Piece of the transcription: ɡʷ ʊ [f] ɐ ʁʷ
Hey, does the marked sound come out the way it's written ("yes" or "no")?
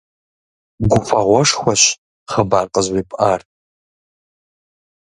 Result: yes